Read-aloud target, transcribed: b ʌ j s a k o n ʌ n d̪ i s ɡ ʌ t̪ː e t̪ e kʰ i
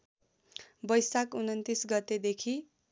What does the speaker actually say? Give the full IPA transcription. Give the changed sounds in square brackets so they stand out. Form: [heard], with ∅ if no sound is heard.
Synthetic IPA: b ʌ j s a k [u] n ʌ n [t̪] i s ɡ ʌ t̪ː e [d̪] e kʰ i